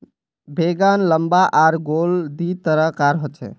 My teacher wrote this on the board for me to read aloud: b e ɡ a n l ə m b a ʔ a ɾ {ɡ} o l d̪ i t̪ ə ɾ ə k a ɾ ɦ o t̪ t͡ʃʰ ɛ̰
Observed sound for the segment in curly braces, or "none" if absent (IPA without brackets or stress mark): ɡ